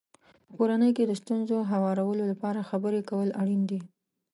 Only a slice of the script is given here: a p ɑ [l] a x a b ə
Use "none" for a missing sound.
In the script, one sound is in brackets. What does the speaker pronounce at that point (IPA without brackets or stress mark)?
ɾ